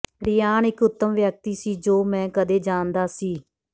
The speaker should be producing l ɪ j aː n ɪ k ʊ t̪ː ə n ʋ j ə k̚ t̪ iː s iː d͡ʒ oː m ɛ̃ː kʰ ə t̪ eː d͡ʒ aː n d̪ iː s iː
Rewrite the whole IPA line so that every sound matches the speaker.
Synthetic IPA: ɾ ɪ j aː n ɪ k ʊ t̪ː ə m ʋ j ə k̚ t̪ iː s iː d͡ʒ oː m ɛ̃ː k ə d̪ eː d͡ʒ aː n d̪ aː s iː